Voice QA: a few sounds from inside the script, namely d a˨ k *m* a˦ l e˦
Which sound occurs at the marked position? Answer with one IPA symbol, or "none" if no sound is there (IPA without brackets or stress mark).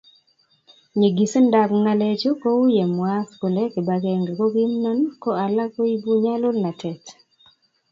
ŋ